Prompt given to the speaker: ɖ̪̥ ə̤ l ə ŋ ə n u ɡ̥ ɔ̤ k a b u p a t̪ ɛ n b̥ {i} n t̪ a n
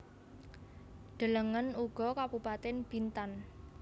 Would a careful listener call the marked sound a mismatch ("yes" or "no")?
no